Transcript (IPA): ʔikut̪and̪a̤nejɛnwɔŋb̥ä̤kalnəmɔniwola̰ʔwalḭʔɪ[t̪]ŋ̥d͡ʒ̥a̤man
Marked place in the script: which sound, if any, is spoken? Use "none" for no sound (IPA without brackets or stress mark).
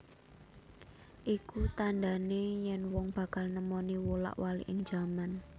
none